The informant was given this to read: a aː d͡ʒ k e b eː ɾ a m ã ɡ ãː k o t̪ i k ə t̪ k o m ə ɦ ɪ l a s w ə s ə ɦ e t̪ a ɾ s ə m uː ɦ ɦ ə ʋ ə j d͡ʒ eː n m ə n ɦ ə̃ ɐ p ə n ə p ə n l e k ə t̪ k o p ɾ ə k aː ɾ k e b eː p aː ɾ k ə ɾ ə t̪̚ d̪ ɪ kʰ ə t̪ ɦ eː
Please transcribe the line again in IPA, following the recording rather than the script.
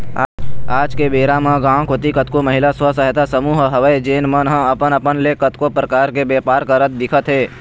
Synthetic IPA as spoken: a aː d͡ʒ k e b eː ɾ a m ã ɡ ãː k o t̪ i k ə t̪ k o m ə ɦ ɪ l a s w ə s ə ɦ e t̪ a s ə m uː ɦ ɦ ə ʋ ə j d͡ʒ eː n m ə n ɦ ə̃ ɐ p ə n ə p ə n l e k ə t̪ k o p ɾ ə k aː ɾ k e b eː p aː ɾ k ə ɾ ə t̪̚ d̪ ɪ kʰ ə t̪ ɦ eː